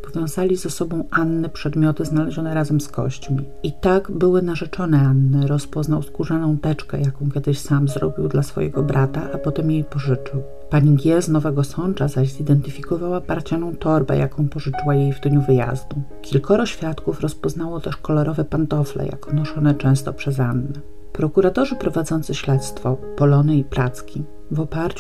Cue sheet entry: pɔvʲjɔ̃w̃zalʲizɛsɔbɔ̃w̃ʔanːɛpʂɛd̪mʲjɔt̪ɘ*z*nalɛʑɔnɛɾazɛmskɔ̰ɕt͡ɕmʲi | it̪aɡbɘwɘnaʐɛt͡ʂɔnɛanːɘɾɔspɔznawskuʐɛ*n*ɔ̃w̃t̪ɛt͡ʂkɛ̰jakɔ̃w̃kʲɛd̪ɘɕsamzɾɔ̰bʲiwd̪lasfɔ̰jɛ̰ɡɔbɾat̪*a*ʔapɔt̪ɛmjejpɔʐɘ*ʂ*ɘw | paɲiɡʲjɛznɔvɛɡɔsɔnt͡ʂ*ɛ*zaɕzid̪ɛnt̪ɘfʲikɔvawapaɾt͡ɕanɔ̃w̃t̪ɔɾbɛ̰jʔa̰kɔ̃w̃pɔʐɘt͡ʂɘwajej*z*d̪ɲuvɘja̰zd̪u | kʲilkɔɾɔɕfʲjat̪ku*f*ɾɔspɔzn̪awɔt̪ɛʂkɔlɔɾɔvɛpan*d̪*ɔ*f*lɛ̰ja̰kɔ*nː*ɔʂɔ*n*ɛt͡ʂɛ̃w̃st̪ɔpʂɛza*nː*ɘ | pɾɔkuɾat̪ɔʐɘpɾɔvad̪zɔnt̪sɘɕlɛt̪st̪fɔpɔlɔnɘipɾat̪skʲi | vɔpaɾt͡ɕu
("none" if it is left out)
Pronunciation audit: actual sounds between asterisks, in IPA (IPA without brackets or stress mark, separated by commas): z, n, a, t͡ʂ, a, v, f, t̪, f, n, n, nː